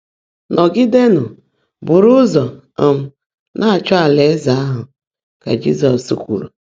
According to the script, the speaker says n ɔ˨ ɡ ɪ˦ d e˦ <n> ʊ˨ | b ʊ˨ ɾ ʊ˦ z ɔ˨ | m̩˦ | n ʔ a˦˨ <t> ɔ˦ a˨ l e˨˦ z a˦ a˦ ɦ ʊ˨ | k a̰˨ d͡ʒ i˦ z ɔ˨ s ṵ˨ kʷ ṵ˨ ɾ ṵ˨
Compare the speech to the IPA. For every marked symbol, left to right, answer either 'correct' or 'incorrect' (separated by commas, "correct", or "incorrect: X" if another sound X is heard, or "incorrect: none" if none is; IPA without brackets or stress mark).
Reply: correct, incorrect: t͡ʃ